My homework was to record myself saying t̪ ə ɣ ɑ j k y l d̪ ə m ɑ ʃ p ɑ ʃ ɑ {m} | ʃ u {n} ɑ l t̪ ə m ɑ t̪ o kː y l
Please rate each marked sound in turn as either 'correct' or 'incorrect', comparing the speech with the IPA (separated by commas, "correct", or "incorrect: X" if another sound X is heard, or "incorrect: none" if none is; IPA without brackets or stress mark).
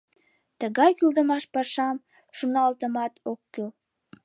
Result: correct, correct